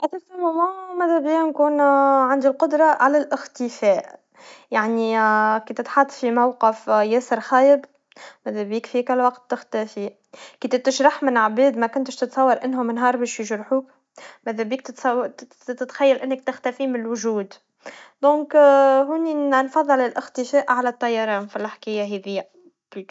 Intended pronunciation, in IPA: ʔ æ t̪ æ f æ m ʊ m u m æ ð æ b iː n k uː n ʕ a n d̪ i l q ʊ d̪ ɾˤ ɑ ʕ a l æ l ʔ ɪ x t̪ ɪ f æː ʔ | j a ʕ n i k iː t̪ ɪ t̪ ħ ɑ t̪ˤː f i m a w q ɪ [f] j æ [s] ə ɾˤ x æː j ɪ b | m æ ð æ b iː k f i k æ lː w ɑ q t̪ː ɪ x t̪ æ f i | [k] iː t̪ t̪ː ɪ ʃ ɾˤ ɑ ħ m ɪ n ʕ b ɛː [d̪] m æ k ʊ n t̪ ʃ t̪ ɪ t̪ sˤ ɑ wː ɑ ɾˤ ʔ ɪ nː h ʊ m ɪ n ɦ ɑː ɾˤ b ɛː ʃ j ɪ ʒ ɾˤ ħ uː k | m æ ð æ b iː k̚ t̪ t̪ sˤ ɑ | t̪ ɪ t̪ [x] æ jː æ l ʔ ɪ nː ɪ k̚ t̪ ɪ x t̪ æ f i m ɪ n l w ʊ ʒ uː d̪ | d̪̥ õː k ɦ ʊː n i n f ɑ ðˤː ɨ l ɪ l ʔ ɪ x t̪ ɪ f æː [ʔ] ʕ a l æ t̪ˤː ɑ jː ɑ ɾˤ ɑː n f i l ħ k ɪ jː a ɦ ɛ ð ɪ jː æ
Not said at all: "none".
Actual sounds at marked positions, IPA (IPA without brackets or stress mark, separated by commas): f, s, k, d̪, x, ʔ